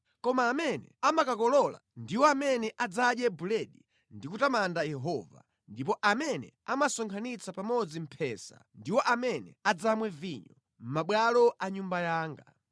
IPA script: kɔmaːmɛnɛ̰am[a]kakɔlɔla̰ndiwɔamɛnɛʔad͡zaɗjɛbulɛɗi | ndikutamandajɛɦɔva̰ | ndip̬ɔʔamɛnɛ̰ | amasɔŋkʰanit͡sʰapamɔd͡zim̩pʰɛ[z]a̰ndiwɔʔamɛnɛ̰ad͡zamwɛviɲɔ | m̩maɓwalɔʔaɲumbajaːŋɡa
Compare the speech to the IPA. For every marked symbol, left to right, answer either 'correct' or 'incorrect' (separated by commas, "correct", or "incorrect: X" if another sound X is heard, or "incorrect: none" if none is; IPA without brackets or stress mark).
correct, incorrect: s